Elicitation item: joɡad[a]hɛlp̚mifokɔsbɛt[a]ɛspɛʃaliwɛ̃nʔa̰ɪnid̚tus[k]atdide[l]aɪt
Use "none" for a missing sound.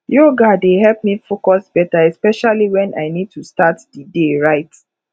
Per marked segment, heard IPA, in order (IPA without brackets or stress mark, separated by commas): e, a, t, ɹ